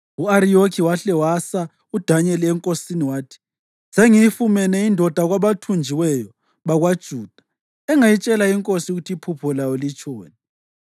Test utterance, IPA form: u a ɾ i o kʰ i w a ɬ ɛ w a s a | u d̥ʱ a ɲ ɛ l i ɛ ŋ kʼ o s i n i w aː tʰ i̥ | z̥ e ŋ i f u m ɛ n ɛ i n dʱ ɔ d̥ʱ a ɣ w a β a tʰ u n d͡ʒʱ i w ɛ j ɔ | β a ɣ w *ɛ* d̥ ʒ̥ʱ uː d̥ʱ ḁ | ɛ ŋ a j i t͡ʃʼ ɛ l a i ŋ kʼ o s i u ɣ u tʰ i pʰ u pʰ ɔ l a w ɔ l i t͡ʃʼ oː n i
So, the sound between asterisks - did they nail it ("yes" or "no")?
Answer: no